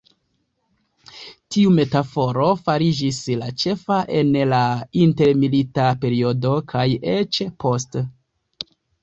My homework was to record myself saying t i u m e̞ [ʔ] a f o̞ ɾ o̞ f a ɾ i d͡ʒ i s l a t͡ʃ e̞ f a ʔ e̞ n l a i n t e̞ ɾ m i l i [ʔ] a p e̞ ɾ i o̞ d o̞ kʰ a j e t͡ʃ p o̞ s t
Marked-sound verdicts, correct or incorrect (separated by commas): incorrect, incorrect